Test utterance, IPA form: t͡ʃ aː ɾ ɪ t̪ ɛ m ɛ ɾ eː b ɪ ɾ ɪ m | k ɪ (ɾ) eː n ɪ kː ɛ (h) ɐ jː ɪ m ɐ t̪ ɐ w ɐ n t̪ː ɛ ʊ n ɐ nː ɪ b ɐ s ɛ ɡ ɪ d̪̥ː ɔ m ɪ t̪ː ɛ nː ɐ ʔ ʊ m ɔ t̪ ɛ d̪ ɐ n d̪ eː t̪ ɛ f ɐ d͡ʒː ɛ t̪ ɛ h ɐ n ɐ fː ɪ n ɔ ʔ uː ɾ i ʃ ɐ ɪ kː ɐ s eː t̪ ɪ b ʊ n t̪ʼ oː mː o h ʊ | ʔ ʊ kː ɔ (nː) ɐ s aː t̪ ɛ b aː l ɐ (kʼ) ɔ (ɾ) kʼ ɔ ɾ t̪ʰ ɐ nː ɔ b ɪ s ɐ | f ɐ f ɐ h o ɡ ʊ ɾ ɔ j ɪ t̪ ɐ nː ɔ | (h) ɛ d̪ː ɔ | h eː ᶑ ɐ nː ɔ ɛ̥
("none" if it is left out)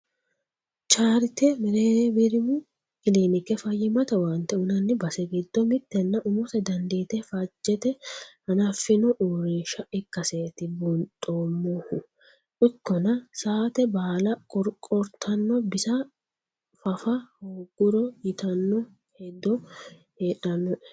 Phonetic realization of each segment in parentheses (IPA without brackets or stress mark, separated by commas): l, f, n, kʼ, ɾ, h